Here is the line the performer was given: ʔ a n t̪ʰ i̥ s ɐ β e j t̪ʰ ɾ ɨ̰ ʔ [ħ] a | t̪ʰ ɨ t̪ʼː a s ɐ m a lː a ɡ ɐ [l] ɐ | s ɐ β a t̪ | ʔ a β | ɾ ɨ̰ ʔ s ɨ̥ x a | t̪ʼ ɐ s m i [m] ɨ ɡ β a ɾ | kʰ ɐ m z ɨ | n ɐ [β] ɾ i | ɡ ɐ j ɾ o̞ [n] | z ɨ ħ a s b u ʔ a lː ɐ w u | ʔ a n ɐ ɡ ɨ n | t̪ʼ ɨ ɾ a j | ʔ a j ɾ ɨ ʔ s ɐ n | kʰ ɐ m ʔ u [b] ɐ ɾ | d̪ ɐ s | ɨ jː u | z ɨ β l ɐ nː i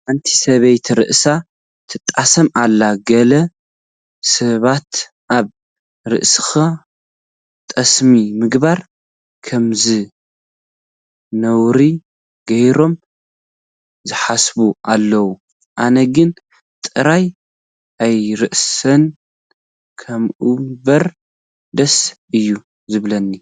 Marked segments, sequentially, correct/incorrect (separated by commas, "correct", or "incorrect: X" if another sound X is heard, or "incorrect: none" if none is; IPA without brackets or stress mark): incorrect: s, correct, correct, incorrect: w, incorrect: m, correct